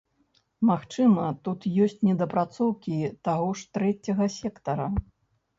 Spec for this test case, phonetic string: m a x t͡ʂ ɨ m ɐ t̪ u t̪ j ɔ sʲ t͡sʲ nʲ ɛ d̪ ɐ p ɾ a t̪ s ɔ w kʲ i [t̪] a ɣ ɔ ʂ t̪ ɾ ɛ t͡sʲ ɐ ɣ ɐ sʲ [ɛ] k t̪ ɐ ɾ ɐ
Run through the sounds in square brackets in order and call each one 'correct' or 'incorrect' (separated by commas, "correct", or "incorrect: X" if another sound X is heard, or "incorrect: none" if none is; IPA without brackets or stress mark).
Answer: correct, correct